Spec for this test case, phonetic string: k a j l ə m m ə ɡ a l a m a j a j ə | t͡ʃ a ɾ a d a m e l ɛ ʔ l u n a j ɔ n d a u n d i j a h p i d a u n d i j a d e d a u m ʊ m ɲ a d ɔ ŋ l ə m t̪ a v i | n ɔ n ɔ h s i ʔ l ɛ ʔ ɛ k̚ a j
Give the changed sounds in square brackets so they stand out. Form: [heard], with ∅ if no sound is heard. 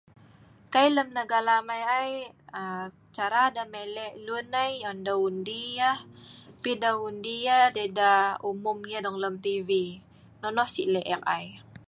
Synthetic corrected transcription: k a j l ə m [n] ə ɡ a l a m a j a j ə | t͡ʃ a ɾ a d a m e l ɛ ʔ l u n a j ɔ n d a u n d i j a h p i d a u n d i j a d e d a u m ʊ m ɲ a d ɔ ŋ l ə m t̪ [i] v i | n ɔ n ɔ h s i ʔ l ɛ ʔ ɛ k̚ a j